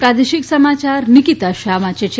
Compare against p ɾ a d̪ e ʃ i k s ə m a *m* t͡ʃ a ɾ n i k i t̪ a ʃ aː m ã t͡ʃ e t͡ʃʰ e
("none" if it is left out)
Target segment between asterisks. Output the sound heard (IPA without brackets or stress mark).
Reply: none